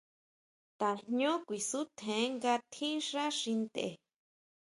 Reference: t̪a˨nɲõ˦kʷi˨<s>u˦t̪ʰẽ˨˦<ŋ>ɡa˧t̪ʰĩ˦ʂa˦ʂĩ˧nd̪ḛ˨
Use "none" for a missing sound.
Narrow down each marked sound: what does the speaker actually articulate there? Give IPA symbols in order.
s, ŋ

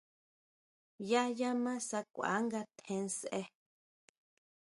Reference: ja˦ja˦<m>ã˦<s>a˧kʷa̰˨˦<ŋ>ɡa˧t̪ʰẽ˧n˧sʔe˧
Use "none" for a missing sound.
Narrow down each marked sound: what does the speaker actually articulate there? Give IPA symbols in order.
m, s, ŋ

